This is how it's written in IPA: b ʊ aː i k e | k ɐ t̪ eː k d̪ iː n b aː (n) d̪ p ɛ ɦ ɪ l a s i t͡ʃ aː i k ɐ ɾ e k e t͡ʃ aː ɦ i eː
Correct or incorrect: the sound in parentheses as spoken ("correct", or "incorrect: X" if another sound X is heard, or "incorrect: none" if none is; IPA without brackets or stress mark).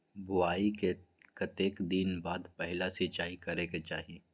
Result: incorrect: none